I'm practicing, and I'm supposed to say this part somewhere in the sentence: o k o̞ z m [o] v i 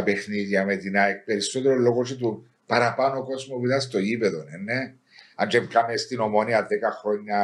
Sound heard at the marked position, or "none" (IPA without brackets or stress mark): o